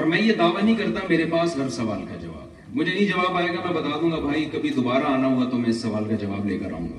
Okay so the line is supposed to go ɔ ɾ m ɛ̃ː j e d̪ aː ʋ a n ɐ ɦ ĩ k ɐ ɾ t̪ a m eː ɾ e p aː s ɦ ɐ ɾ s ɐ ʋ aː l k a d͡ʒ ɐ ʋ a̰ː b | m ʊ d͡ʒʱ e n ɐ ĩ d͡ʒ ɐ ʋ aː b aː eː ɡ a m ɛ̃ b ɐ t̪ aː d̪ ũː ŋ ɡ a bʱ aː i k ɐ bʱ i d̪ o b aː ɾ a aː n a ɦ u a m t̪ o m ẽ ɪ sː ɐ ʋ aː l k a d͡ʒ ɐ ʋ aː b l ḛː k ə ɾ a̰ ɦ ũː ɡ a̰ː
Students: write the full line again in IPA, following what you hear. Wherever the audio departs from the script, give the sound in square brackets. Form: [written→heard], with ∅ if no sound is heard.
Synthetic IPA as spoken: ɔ ɾ m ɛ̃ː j e d̪ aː ʋ a n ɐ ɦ ĩ k ɐ ɾ t̪ a m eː ɾ e p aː s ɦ ɐ ɾ s ɐ ʋ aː l k a d͡ʒ ɐ ʋ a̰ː b | m ʊ d͡ʒʱ e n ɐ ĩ d͡ʒ ɐ ʋ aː b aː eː ɡ a m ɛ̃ b ɐ t̪ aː d̪ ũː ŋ ɡ a bʱ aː i k ɐ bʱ i d̪ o b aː ɾ a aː n a ɦ u a [m→∅] t̪ o m [ẽ→ɛ̃] ɪ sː ɐ ʋ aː l k a d͡ʒ ɐ ʋ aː b l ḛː k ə ɾ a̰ ɦ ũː ɡ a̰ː